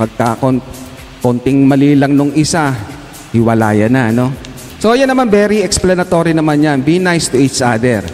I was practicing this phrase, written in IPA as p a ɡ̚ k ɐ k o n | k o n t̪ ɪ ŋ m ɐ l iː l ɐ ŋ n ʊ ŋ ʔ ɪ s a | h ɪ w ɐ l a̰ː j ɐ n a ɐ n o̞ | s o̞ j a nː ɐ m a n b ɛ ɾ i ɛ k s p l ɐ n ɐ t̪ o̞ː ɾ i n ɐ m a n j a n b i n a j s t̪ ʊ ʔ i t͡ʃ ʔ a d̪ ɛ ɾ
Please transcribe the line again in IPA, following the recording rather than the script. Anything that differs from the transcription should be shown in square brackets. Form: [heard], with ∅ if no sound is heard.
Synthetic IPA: p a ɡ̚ k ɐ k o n | k o n t̪ ɪ ŋ m ɐ l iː l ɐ ŋ n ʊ ŋ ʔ ɪ s a | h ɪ w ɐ l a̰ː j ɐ n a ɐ n o̞ | s o̞ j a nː ɐ m a n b ɛ ɾ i ɛ k s p l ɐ n ɐ t̪ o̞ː ɾ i n ɐ m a n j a n b i n a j s t̪ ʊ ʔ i t͡ʃ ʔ a d̪ ɛ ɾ